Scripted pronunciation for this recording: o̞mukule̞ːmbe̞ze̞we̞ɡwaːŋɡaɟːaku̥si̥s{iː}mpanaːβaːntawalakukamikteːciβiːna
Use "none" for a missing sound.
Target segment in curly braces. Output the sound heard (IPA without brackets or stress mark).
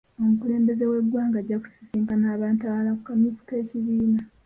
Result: iː